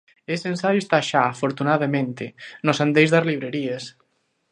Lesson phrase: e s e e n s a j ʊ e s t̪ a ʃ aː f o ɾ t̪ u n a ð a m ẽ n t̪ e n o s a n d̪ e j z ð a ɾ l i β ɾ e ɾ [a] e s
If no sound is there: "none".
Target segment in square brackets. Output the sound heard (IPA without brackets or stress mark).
i